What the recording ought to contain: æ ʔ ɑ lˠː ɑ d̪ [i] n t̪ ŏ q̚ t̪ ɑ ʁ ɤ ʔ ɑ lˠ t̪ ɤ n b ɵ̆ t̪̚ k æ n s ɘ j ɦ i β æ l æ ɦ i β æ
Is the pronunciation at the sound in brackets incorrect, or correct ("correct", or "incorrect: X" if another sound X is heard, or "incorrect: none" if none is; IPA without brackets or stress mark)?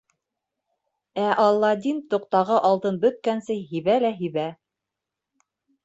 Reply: correct